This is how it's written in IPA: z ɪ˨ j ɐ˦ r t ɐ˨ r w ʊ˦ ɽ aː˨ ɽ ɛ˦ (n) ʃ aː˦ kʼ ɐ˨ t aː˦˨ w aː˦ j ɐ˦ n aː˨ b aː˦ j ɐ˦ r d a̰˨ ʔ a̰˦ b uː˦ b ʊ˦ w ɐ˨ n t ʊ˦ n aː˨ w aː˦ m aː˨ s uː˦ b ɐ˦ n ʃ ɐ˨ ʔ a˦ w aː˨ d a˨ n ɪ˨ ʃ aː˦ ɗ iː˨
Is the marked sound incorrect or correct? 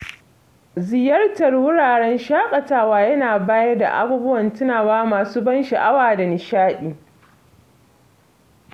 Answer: correct